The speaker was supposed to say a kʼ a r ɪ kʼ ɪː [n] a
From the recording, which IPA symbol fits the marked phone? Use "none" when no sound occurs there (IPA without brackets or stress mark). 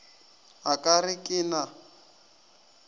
n